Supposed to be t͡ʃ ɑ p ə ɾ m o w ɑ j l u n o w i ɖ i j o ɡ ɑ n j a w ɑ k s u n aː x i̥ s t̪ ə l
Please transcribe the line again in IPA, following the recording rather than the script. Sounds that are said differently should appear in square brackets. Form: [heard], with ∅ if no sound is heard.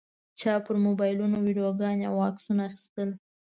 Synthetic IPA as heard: t͡ʃ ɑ p ə ɾ m o [b] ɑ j l u n o w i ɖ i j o ɡ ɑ n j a w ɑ k s u n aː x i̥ s t̪ ə l